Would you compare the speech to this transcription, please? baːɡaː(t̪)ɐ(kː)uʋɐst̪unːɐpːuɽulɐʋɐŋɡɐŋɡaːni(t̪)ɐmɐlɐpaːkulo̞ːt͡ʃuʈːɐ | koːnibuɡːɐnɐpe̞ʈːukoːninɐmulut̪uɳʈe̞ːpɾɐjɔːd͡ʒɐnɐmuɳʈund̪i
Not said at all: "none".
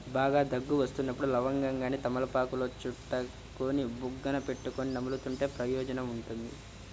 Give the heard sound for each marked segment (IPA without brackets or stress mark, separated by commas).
d̪, ɡː, t̪